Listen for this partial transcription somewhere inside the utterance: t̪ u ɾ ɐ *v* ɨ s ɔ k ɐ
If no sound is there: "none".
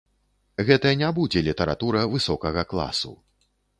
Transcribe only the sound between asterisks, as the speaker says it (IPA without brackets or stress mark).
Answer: v